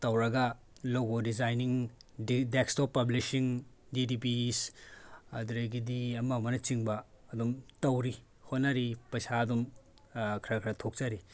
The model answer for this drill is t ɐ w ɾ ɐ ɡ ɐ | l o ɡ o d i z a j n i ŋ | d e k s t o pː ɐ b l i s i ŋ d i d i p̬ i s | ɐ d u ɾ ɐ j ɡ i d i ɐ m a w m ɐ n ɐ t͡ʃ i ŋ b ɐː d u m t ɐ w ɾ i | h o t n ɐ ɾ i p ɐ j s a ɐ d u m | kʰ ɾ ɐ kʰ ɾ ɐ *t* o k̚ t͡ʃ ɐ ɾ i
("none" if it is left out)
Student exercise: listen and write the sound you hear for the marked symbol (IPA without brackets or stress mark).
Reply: tʰ